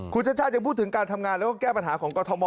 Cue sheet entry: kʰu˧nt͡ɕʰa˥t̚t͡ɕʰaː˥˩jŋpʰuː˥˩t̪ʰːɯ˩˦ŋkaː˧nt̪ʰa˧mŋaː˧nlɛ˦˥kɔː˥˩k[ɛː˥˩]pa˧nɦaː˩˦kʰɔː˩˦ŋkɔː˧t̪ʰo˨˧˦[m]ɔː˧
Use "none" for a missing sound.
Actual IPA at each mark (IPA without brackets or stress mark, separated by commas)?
ɛː˥˩, m